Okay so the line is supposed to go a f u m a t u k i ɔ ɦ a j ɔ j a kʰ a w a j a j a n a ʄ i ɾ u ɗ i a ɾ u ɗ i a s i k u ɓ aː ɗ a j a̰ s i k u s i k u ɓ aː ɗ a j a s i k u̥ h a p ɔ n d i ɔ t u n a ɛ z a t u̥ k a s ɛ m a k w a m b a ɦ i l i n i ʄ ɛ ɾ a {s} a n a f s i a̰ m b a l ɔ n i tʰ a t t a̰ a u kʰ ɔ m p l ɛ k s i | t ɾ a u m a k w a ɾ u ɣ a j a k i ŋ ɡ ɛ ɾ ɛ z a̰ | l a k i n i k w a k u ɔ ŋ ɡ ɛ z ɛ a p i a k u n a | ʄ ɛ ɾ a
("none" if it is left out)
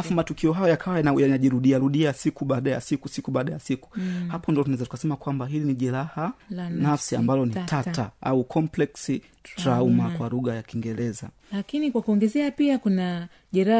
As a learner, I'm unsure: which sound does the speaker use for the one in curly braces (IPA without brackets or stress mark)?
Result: h